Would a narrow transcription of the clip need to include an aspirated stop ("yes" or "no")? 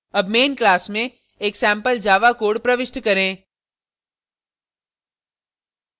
no